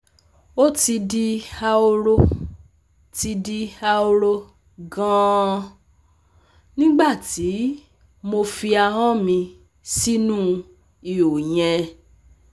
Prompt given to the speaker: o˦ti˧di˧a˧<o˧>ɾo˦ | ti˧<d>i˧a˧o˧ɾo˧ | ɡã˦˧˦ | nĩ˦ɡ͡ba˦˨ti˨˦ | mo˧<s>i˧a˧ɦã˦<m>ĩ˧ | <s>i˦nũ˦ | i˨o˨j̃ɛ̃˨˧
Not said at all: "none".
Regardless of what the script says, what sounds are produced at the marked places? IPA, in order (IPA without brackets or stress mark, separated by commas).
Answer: o˧, d, f, m, s